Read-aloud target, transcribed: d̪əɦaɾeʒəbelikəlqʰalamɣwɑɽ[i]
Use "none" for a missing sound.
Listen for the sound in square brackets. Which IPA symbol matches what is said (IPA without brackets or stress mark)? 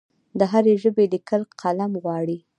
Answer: i